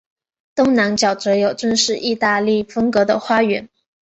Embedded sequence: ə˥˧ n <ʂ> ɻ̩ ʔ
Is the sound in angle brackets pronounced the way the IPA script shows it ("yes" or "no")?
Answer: yes